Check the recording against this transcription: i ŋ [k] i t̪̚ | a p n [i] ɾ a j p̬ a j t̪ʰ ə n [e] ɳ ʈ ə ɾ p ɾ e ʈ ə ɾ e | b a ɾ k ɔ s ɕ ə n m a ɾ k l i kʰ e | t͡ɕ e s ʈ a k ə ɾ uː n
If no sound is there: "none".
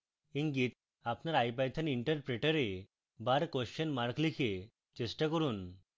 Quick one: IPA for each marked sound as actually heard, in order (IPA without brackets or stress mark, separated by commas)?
ɡ, a, i